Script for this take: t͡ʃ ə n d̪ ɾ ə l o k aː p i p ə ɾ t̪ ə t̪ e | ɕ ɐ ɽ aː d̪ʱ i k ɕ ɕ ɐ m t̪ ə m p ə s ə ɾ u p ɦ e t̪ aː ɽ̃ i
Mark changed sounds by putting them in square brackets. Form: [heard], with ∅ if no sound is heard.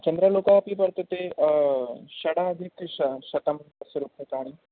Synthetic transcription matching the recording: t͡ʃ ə n d̪ ɾ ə l o k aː p i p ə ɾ t̪ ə t̪ e | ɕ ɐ ɽ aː d̪ʱ i k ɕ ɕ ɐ [∅] t̪ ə m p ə s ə ɾ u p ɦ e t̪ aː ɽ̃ i